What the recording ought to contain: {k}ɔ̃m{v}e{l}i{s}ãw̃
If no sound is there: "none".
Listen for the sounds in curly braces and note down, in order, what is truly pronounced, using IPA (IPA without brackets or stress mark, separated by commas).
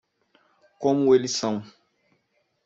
k, w, l, s